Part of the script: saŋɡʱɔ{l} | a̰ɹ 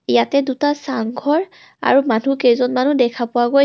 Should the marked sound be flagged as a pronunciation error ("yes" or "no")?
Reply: yes